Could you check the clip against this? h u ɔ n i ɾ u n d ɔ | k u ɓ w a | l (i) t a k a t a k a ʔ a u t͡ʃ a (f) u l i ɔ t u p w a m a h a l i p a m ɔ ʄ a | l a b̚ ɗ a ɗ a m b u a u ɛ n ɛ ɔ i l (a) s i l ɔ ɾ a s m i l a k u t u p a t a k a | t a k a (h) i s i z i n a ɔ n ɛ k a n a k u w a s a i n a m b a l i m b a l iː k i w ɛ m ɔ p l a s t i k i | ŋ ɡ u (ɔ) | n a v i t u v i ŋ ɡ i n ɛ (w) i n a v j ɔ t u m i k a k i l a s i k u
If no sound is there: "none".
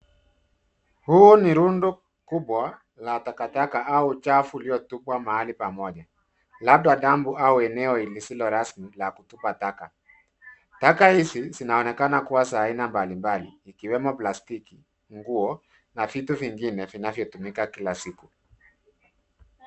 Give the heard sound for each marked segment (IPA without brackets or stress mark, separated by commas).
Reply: a, f, i, h, ɔ, v